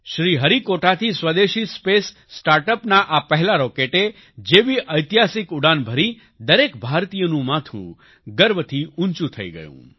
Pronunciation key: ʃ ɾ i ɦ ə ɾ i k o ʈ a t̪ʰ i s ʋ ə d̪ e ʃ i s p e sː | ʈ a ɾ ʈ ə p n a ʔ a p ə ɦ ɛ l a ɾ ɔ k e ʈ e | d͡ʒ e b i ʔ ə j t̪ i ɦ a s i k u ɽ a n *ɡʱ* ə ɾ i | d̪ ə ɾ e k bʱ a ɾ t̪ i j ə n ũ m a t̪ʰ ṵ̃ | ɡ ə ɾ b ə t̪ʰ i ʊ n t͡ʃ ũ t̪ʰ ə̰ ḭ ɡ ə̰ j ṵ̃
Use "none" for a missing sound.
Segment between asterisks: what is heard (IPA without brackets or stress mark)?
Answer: bʱ